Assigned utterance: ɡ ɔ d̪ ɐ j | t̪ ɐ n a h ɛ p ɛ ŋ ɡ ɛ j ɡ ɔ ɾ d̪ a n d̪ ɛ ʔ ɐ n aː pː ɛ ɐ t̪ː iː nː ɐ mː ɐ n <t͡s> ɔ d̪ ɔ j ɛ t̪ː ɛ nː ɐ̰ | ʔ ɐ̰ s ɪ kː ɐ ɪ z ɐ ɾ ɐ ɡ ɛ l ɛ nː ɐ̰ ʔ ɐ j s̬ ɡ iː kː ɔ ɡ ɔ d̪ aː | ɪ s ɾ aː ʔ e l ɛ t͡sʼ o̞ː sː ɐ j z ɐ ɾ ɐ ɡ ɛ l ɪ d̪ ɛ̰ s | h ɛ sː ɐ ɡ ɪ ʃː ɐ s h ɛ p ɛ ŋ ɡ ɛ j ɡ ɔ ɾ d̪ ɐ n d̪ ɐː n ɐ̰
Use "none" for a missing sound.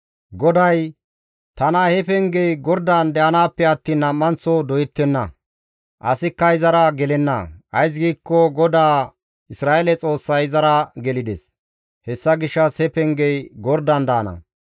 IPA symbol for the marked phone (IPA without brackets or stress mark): t͡s